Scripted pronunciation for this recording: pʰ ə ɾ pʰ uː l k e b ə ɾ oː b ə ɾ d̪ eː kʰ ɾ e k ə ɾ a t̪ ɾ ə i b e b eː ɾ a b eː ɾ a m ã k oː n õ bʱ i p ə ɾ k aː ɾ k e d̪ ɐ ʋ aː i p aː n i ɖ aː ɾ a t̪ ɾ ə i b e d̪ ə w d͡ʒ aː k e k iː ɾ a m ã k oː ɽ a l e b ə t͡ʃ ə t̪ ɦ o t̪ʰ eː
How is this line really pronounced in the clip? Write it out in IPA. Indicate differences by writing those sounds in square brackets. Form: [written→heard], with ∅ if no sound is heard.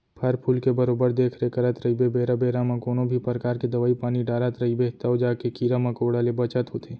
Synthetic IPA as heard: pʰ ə ɾ pʰ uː l k e b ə ɾ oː b ə ɾ d̪ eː kʰ ɾ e k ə ɾ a t̪ ɾ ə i b e b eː ɾ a b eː ɾ a m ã k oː n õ bʱ i p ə ɾ k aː ɾ k e d̪ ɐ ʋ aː i p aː n i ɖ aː ɾ a t̪ ɾ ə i b e [d̪→t̪] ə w d͡ʒ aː k e k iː ɾ a m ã k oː ɽ a l e b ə t͡ʃ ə t̪ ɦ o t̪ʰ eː